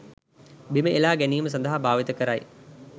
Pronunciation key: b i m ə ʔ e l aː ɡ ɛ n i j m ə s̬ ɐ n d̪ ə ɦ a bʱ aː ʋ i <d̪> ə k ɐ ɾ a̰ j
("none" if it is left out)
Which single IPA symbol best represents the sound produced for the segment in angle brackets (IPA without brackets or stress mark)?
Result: t̪